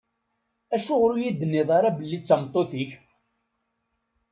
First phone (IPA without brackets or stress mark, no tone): æ